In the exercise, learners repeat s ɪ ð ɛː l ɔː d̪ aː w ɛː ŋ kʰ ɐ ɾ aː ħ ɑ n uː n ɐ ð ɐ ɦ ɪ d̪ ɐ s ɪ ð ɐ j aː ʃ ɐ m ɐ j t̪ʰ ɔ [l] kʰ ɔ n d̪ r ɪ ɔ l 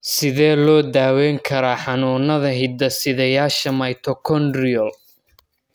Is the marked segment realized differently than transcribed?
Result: yes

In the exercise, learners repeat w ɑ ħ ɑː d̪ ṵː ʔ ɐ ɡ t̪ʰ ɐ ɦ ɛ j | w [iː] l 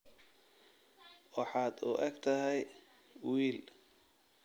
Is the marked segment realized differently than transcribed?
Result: no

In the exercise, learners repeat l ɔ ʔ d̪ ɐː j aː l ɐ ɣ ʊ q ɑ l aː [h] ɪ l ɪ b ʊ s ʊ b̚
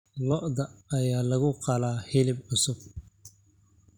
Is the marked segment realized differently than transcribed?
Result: no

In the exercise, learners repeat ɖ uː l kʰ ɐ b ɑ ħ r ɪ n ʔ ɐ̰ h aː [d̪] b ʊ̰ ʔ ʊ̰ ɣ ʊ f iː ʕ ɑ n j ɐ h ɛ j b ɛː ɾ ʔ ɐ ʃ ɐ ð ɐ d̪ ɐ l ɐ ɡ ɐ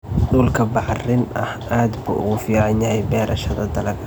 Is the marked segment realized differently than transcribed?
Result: no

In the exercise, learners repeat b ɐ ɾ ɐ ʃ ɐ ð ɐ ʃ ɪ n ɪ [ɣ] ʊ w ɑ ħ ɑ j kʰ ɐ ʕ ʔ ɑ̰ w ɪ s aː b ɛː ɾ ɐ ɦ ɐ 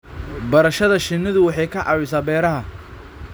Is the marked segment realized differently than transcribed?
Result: yes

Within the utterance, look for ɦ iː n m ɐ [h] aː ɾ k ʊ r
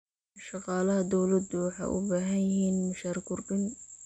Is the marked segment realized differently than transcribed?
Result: yes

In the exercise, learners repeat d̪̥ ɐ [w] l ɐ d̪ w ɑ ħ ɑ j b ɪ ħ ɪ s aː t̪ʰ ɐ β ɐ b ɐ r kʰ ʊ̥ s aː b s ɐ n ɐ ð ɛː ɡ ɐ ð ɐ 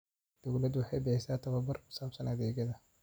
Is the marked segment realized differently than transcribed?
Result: no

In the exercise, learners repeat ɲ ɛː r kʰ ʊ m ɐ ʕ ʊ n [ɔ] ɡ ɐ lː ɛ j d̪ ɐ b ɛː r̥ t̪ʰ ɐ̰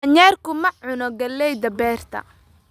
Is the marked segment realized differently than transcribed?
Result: no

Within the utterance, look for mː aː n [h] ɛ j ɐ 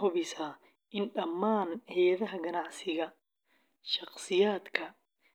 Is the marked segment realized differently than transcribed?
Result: no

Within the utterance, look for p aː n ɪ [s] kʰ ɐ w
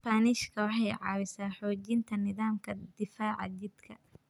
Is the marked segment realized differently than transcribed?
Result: yes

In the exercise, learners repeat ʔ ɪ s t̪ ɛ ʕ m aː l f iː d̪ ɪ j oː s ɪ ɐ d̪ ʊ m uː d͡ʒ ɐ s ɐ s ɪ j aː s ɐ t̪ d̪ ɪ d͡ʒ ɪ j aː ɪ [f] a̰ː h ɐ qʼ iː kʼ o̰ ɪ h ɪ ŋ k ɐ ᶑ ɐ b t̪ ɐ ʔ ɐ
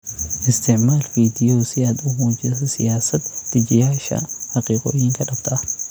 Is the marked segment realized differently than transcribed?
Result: yes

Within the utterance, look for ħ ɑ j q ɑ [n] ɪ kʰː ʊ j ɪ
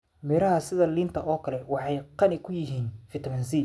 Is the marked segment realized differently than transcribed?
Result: no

